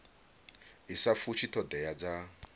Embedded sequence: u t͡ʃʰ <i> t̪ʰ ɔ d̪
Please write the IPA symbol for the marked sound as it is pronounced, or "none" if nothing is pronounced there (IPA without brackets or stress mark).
i